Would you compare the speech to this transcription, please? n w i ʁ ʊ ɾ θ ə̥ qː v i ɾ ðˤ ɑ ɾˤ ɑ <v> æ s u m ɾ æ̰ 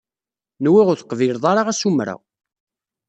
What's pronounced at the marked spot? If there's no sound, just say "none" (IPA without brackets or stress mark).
ʁ